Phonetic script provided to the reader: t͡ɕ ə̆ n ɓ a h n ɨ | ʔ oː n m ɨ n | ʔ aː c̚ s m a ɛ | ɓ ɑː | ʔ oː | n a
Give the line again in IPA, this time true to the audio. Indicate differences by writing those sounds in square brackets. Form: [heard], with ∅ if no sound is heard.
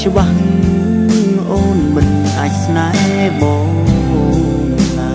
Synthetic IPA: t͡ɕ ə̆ [∅] ɓ a h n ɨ | ʔ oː n m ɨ n | ʔ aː c̚ s [n] a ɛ | ɓ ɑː | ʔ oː | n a